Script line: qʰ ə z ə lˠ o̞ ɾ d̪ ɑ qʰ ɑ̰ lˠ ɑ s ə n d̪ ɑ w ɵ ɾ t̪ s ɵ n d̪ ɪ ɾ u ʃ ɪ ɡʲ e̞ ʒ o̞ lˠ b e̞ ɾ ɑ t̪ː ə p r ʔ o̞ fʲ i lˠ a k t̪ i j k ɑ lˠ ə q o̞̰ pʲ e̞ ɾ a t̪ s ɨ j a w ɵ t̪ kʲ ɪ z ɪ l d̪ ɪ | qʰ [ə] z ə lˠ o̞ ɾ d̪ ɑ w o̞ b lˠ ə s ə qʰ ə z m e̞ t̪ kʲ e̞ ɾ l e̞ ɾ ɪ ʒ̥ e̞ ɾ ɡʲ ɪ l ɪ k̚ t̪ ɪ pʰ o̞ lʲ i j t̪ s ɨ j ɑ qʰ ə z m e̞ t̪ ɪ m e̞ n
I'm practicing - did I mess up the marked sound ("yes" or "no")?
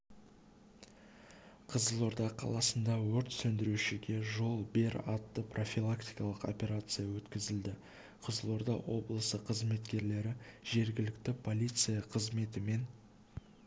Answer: no